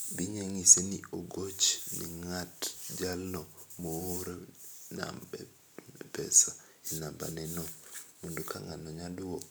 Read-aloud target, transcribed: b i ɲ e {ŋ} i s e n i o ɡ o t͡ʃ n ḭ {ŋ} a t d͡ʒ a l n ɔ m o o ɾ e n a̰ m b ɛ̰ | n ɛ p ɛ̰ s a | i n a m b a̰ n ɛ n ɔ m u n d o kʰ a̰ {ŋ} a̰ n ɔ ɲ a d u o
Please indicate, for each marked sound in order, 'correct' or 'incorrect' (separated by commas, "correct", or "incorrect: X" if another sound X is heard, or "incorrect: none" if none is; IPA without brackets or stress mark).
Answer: correct, correct, correct